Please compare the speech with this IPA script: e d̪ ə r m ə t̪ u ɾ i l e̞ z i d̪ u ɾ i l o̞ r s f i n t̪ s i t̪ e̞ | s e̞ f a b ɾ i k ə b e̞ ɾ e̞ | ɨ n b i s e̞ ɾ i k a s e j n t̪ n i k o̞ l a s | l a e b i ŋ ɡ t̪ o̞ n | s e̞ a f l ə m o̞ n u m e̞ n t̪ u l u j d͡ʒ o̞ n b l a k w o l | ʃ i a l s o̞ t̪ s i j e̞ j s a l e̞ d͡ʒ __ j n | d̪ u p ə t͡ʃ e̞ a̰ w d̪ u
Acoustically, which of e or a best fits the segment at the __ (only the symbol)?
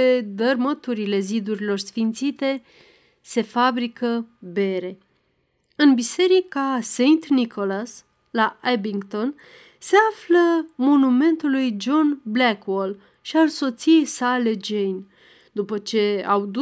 e